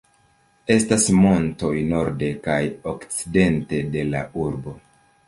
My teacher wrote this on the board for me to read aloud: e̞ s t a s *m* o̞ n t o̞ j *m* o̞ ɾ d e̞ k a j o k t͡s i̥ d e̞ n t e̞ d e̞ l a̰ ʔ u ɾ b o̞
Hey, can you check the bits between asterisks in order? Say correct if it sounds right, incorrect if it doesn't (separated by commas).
correct, incorrect